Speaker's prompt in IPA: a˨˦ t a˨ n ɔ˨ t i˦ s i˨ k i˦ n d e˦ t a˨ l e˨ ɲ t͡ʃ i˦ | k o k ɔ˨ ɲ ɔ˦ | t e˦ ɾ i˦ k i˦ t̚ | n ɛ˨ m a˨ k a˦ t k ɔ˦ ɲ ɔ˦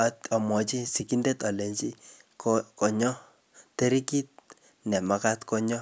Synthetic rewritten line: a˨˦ t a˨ m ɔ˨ t͡ʃ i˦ s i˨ k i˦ n d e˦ t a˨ l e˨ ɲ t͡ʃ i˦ | k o k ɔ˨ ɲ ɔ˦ | t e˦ ɾ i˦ k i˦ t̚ | n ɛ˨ m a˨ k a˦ t k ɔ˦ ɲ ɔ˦